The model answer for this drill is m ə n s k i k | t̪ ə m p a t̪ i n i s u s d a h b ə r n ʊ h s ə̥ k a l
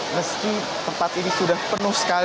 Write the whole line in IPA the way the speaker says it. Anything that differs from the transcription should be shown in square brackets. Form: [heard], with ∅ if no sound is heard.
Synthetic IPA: m ə [∅] s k i [∅] | t̪ ə m p a t̪ i n i s u [∅] d a h [p] ə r n ʊ h s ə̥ k a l